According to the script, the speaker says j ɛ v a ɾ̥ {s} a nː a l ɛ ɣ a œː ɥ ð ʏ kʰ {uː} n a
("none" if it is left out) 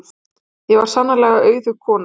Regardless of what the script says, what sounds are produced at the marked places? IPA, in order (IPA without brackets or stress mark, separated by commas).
s, ɔː